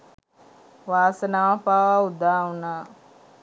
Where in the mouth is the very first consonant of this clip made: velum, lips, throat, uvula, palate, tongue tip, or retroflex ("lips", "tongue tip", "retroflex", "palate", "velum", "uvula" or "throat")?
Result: lips